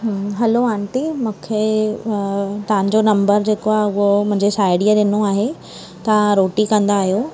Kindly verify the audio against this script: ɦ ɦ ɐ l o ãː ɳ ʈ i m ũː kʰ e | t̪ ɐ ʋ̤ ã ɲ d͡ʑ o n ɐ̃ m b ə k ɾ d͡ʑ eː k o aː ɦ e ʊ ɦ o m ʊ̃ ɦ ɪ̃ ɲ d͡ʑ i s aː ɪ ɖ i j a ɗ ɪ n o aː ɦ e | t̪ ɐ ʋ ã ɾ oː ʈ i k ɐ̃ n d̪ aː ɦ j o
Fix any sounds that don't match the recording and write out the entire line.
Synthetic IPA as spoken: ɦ ɦ ɐ l o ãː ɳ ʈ i m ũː kʰ e | t̪ ɐ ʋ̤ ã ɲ d͡ʑ o n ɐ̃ m b ə ɾ d͡ʑ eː k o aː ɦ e ʊ ɦ o m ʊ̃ ɦ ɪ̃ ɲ d͡ʑ e s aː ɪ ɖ i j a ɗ ɪ n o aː ɦ e | t̪ ɐ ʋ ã ɾ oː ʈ i k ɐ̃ n d̪ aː ɦ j o